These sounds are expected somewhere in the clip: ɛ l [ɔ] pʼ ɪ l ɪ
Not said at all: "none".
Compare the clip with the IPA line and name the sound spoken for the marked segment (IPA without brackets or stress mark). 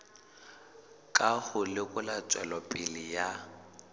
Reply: ɔ